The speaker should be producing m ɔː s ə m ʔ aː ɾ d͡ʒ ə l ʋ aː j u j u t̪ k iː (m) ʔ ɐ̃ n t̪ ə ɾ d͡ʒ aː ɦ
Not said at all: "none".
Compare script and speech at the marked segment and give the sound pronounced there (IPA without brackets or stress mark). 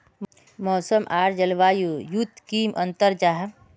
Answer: m